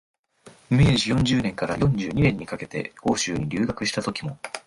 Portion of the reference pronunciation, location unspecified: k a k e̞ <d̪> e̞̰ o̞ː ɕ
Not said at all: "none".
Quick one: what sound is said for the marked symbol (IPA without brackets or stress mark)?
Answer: t̪